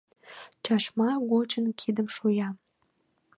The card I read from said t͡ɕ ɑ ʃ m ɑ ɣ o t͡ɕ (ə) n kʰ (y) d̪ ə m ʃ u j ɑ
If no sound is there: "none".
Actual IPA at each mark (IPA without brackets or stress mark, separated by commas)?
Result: ə, i